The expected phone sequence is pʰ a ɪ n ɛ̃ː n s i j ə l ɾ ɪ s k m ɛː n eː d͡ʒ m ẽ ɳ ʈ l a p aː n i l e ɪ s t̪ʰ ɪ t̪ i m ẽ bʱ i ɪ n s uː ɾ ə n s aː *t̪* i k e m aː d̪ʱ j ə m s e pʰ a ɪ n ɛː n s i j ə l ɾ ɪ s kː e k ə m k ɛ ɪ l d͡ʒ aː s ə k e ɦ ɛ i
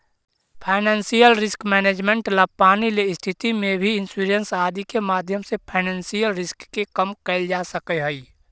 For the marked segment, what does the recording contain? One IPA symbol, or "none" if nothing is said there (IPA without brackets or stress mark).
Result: d̪